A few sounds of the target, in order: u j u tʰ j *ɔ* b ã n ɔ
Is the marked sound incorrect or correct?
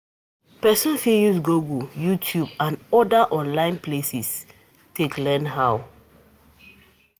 incorrect